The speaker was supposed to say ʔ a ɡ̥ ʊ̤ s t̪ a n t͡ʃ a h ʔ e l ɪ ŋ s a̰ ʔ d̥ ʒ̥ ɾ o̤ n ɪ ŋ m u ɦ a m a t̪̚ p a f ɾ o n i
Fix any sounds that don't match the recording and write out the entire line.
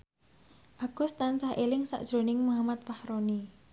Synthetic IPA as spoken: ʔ a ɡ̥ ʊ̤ s t̪ a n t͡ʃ a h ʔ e l ɪ ŋ s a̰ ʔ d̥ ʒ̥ ɾ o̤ n ɪ ŋ m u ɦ a m a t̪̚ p a h ɾ o n i